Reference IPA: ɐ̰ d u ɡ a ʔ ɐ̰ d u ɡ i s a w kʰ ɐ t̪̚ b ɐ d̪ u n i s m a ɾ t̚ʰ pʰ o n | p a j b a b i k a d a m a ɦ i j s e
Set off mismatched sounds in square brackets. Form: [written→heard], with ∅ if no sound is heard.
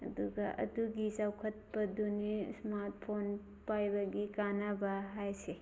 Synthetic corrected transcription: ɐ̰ d u ɡ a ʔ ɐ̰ d u ɡ i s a w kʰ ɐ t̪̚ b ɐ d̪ u n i s m a ɾ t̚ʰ pʰ o n | p a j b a [b→ɡ] i k a [d→n] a [m→b] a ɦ [i→a] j s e